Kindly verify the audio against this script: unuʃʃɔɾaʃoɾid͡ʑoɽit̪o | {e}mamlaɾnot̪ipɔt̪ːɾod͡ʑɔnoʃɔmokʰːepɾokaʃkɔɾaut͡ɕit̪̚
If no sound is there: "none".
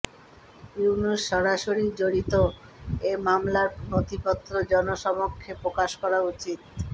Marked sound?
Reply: e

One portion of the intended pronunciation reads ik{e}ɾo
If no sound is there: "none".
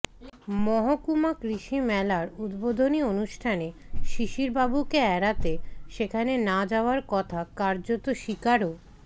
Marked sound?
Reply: a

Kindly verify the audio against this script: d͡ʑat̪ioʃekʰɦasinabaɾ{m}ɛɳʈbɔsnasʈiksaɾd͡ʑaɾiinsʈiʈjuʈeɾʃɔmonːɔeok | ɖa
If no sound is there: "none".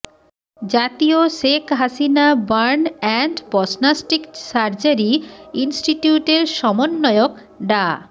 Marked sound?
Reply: n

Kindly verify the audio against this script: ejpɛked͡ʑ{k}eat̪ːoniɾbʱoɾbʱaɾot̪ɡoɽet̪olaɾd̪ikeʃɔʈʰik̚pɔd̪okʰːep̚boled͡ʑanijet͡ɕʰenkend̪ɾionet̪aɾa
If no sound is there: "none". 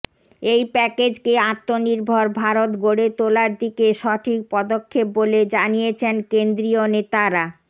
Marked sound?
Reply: k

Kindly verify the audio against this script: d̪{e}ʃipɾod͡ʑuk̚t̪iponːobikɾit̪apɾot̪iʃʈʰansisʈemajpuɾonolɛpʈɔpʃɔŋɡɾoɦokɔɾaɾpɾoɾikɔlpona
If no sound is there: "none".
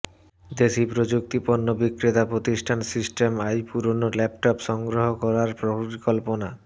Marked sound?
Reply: e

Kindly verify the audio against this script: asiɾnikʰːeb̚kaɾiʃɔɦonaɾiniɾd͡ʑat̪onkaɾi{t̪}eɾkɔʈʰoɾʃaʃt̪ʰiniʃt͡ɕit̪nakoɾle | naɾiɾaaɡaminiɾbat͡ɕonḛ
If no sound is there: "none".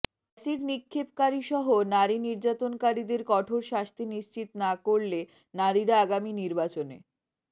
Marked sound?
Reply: d̪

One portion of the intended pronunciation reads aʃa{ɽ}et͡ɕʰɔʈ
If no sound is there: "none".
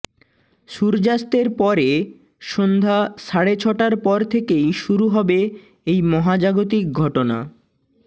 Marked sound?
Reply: ɽ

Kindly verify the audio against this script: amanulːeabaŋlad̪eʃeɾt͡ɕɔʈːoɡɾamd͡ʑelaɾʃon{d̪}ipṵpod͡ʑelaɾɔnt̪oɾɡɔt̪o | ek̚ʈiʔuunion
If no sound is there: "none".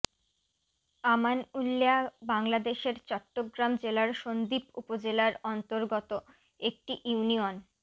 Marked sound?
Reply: d̪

